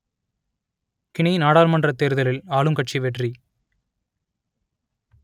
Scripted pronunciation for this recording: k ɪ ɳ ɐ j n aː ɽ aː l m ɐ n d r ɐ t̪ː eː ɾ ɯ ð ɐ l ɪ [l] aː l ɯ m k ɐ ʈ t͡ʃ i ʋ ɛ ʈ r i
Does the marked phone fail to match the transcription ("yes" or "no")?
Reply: no